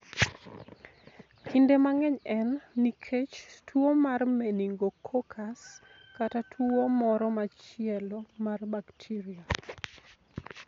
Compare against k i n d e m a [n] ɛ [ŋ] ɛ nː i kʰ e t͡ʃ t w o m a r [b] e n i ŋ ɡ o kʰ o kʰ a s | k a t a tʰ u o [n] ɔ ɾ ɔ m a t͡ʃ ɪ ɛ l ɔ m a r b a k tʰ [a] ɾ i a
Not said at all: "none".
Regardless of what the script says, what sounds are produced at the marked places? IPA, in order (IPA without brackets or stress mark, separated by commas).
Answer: ŋ, ɲ, m, m, i